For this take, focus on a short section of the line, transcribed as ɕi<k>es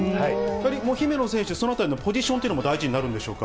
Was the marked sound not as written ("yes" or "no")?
yes